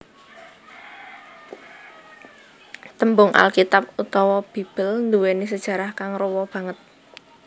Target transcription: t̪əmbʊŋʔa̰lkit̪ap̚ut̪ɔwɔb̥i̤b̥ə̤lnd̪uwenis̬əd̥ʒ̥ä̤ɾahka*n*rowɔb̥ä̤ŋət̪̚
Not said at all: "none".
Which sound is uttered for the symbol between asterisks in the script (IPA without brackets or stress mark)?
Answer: ŋ